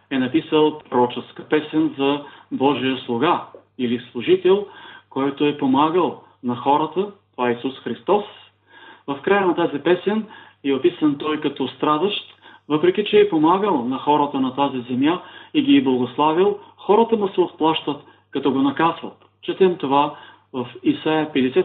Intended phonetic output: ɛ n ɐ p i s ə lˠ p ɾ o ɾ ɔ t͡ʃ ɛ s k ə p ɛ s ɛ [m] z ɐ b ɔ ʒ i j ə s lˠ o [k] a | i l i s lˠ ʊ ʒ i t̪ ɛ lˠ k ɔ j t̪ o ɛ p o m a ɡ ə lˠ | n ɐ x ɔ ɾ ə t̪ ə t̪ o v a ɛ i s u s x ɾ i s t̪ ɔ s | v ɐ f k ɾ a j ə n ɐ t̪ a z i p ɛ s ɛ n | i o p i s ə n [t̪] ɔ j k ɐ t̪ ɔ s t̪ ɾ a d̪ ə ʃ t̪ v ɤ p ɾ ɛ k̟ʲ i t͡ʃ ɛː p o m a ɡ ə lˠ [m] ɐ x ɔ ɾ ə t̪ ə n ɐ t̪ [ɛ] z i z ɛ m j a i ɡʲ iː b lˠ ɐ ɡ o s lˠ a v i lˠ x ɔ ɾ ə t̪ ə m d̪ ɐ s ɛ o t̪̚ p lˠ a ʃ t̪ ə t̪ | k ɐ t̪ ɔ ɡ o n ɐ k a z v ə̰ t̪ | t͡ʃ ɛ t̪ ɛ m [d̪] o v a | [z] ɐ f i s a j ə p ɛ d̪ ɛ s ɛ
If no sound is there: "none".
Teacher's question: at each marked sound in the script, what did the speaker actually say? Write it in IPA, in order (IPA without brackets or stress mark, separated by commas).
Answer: n, ɡ, t̪, n, a, t̪, v